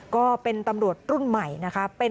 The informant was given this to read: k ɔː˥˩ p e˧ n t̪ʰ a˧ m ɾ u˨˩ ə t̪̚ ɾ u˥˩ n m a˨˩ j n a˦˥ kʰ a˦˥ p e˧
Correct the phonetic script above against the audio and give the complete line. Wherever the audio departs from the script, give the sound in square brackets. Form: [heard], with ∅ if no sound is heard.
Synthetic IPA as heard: k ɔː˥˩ p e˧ n [t̪] a˧ m ɾ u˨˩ ə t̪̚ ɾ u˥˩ n m a˨˩ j n a˦˥ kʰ a˦˥ p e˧